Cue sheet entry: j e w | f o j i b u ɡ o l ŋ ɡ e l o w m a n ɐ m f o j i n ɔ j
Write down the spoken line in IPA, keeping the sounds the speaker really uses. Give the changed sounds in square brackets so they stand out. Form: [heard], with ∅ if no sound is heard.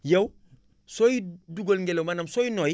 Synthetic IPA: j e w | [s] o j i [d] u ɡ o l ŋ ɡ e l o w m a n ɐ m [s] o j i n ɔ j